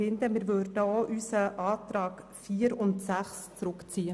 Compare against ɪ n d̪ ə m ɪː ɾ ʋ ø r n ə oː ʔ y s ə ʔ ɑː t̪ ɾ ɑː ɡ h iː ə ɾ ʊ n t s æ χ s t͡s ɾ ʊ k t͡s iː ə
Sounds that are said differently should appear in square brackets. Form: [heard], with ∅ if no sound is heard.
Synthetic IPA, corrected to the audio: ɪ n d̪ ə m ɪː ɾ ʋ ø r [d] ə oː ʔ y s ə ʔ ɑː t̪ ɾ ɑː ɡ [f] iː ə ɾ ʊ n t s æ χ s t͡s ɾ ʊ k t͡s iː ə